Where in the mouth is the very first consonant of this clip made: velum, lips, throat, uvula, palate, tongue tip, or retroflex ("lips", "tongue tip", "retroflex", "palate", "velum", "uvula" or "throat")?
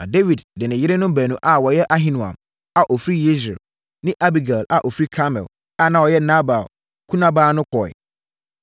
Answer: tongue tip